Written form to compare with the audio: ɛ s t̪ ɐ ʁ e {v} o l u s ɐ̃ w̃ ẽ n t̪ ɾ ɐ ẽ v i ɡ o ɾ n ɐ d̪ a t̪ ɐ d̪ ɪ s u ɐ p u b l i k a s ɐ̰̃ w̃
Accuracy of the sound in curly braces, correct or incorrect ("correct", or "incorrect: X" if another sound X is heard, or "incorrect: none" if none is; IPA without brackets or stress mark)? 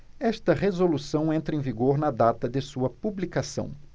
incorrect: z